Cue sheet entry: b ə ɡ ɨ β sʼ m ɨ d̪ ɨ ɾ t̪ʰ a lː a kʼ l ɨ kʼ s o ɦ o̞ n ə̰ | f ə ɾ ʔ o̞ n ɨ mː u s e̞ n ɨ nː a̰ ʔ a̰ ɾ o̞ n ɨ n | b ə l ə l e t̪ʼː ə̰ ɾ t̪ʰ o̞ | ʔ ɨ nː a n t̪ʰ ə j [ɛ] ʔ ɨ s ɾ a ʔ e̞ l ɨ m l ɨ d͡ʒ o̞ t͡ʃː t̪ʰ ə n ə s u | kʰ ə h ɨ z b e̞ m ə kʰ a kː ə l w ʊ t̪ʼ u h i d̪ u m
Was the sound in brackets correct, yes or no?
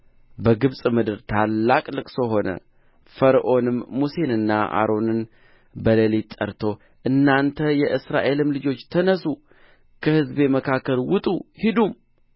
yes